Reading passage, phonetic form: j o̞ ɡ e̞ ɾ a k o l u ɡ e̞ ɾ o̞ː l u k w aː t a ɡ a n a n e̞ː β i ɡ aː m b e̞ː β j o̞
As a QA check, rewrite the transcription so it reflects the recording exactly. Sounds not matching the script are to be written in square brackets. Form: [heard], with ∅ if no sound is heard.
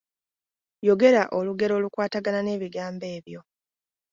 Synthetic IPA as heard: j o̞ ɡ e̞ ɾ a [ʔ] o l u ɡ e̞ ɾ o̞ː l u k w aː t a ɡ a n a n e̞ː β i ɡ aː m b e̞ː β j o̞